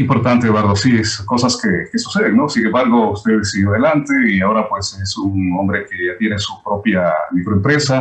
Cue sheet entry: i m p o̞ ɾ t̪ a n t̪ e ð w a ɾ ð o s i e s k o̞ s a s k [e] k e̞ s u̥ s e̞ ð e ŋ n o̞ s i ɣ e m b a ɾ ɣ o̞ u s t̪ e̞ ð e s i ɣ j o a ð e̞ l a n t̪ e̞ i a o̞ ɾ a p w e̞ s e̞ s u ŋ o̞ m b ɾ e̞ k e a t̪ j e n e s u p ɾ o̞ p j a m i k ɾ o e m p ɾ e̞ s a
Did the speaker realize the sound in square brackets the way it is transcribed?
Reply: yes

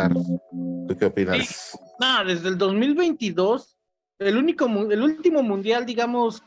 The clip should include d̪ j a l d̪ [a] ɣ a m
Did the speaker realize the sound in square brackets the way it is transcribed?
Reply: no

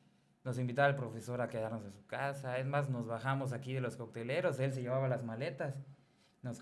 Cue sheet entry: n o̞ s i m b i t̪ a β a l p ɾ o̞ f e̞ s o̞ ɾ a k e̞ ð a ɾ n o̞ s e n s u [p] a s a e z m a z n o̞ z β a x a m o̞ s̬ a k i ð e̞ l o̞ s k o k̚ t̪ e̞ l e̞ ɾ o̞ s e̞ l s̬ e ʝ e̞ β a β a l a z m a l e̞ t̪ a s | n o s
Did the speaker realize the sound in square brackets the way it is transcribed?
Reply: no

